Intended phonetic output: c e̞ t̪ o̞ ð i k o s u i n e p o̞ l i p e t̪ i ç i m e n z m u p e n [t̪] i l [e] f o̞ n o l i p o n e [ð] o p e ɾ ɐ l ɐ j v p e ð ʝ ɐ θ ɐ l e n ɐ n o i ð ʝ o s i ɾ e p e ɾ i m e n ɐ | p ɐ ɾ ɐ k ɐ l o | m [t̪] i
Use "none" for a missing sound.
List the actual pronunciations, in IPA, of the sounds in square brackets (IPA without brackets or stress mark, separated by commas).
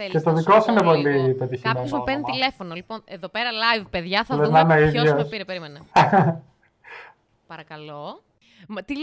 t̪, e, ð, t̪